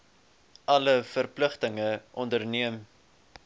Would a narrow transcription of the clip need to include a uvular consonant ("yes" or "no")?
yes